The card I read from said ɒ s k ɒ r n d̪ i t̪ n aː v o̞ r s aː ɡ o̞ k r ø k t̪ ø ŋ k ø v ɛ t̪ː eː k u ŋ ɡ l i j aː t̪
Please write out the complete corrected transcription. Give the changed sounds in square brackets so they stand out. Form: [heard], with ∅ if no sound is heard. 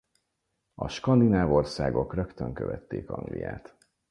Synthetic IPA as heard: ɒ [ʃ] k ɒ [∅] n d̪ i [∅] n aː v o̞ r s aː ɡ o̞ k r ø k t̪ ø ŋ k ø v ɛ t̪ː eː k [ɒ] ŋ ɡ l i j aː t̪